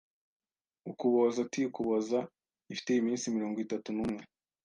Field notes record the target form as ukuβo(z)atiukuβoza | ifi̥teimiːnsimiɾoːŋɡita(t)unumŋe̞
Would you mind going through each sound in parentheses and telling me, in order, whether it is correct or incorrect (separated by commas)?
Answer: correct, correct